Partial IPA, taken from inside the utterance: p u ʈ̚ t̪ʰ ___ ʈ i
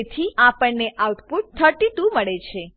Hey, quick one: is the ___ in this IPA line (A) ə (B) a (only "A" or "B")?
A